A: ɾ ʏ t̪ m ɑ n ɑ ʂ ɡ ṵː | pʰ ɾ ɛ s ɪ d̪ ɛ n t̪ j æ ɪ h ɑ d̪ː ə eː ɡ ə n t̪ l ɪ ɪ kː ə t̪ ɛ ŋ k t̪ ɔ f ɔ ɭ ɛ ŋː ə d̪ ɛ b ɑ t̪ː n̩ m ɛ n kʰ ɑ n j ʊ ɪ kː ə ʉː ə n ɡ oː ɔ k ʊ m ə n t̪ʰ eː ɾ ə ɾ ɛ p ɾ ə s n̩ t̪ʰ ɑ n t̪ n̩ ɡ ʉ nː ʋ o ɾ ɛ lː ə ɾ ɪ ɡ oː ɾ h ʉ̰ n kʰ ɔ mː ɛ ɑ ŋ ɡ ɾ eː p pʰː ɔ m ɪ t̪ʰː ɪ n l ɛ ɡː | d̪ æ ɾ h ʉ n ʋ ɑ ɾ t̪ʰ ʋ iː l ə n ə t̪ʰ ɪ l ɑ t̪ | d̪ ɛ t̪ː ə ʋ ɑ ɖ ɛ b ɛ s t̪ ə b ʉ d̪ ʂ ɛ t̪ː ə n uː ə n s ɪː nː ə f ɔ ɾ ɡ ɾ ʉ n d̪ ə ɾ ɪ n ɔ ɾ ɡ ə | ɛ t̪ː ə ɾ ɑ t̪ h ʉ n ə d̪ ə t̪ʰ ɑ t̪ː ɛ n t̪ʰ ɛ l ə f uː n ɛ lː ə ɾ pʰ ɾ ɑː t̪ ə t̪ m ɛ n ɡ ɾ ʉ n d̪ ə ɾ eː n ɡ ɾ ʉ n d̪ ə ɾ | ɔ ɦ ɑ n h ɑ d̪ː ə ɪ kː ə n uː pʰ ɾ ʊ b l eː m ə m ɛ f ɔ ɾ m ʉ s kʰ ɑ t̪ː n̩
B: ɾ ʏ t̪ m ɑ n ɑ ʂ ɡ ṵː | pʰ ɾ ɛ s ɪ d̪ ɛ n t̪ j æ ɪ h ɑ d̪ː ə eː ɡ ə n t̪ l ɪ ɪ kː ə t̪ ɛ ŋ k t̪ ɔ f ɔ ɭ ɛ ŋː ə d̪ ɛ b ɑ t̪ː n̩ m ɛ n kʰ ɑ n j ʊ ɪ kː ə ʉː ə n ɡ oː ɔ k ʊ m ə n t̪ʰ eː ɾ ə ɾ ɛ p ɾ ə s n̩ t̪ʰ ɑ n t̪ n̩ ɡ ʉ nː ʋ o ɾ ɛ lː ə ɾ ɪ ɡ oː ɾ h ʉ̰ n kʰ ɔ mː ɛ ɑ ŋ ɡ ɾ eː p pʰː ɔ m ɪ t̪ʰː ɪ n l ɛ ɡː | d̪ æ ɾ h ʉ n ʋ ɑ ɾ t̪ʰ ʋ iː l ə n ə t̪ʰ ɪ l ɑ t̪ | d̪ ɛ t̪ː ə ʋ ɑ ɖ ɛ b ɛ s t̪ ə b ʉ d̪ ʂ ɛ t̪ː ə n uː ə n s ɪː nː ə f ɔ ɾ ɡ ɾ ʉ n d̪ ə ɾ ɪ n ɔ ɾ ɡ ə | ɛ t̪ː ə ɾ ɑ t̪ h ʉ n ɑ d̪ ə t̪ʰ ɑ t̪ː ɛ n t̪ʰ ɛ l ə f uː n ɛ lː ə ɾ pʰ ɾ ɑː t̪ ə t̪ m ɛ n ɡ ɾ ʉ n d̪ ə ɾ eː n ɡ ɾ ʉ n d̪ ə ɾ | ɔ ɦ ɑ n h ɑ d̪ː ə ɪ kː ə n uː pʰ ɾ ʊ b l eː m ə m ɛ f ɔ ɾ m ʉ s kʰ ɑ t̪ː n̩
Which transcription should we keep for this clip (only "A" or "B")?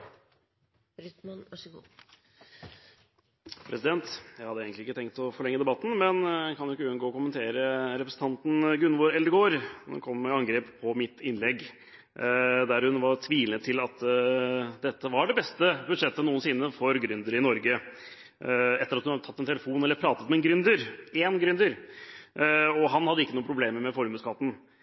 B